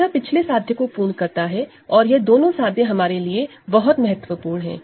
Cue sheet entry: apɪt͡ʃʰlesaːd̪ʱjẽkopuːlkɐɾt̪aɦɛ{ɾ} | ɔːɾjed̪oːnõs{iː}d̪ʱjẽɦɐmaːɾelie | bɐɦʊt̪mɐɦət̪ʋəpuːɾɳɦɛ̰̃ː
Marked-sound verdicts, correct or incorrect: incorrect: none, incorrect: aː

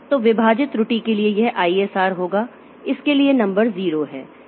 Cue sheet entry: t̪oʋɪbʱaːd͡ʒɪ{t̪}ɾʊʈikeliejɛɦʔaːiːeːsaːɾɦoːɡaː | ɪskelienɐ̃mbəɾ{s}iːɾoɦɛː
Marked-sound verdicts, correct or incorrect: correct, incorrect: z

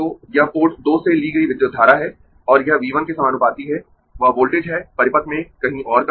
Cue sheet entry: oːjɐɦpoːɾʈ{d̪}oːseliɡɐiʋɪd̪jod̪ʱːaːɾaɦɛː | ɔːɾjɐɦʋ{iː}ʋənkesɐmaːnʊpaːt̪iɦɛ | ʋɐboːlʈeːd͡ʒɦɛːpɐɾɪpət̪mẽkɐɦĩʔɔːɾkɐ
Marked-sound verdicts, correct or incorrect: correct, correct

